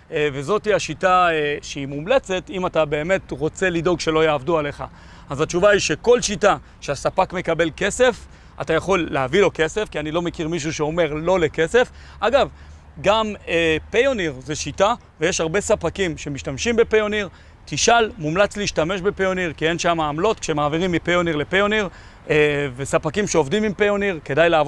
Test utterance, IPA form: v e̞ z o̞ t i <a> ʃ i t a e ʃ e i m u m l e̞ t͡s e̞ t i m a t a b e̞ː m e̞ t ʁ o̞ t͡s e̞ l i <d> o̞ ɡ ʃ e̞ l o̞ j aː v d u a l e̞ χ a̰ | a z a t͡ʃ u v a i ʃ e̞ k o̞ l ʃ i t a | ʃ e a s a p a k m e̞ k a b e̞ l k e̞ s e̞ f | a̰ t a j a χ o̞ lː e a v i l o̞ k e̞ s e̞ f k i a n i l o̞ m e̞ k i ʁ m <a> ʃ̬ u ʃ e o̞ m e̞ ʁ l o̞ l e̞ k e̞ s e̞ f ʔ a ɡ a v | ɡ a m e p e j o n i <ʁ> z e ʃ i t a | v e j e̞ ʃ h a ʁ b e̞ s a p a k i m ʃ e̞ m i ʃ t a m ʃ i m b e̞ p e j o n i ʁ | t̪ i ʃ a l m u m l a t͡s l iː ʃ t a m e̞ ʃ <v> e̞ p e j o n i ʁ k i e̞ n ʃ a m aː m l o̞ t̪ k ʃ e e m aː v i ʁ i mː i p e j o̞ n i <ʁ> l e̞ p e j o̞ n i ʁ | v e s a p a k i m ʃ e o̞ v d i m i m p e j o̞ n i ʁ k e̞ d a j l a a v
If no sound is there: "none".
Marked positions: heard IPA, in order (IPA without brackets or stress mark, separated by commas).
a, d, i, ʁ, b, ʁ